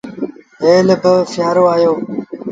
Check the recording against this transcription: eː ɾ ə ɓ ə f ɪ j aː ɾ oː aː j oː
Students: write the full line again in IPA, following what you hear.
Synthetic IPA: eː l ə b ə f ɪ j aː ɾ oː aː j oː